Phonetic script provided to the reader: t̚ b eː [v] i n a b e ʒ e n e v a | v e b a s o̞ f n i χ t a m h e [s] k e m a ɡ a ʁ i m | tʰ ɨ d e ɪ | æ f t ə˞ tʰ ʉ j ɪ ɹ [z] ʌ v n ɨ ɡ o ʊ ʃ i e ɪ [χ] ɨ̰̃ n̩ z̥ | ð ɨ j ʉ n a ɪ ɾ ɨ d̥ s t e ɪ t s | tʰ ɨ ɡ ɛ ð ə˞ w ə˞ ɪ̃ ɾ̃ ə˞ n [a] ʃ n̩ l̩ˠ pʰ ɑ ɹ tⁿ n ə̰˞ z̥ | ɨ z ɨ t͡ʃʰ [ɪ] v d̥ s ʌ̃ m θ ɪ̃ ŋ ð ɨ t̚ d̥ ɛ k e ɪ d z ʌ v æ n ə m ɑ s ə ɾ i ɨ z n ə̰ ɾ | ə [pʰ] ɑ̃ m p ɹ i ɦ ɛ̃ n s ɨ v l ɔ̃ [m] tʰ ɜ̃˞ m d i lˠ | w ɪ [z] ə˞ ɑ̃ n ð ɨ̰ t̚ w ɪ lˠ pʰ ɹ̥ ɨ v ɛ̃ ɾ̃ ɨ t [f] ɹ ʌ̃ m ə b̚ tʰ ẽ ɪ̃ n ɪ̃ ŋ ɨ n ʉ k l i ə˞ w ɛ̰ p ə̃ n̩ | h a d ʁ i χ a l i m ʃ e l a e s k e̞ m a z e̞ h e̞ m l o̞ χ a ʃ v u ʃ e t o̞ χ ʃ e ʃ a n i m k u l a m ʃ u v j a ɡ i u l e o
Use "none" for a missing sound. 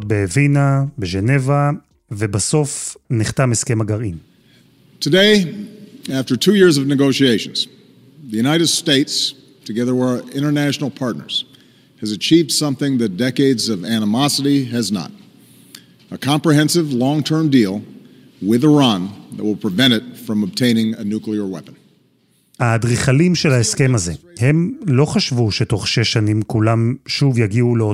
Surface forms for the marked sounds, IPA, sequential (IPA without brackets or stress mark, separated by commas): v, s, z, ʃ, æ, i, kʰ, ŋ, ð, f